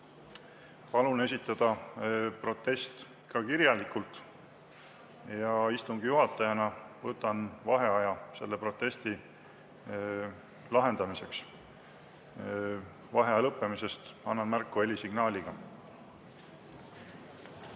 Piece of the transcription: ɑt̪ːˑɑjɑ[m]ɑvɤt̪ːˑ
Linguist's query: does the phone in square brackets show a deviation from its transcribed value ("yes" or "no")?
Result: yes